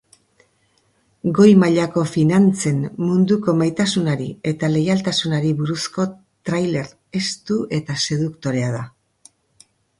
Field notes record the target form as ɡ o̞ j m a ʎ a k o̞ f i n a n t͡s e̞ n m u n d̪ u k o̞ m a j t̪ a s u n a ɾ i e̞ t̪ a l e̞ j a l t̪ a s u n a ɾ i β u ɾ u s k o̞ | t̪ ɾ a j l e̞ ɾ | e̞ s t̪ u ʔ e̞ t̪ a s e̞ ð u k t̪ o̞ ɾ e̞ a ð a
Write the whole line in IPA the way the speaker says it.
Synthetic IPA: ɡ o̞ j m a ʎ a k o̞ f i n a n t͡s e̞ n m u n d̪ u k o̞ m a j t̪ a s u n a ɾ i e̞ t̪ a l e̞ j a l t̪ a s u n a ɾ i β u ɾ u s k o̞ | t̪ ɾ a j l e̞ ɾ | e̞ s t̪ u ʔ e̞ t̪ a s e̞ ð u k t̪ o̞ ɾ e̞ a ð a